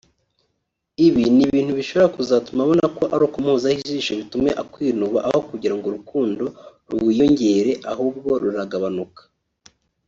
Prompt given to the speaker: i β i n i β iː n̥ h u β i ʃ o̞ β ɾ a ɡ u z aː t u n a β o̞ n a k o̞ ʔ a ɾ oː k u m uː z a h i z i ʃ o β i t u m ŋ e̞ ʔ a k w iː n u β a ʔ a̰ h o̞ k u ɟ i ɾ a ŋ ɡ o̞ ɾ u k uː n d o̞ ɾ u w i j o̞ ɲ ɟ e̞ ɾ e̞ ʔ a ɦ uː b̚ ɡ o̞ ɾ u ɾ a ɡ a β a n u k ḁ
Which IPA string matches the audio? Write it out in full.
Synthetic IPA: i β i n i β iː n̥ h u β i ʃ o̞ β ɾ a k u z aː t u m a β o̞ n a k o̞ ʔ a ɾ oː k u m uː z a h i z i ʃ o β i t u m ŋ e̞ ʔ a k w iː n u β a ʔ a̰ h o̞ k u ɟ i ɾ a ŋ ɡ o̞ ɾ u k uː n d o̞ ɾ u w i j o̞ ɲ ɟ e̞ ɾ e̞ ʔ a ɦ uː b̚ ɡ o̞ ɾ u ɾ a ɡ a β a n u k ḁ